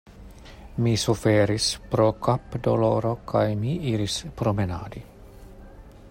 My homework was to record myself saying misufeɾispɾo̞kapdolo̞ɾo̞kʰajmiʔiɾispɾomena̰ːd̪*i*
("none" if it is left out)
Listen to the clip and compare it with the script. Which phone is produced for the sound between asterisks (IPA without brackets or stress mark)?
i